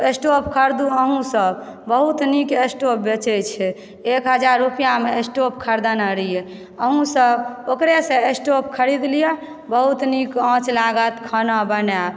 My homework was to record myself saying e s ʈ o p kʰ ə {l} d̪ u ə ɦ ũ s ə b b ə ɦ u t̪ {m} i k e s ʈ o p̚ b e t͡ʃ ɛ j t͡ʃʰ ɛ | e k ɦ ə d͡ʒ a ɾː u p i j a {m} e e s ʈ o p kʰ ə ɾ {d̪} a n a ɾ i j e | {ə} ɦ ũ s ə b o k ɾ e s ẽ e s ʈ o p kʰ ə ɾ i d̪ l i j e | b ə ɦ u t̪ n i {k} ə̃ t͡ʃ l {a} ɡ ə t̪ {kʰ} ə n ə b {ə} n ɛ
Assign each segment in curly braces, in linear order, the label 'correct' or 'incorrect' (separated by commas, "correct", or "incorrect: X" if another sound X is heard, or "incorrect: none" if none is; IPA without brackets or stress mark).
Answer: incorrect: ɾ, incorrect: n, correct, correct, correct, correct, correct, correct, correct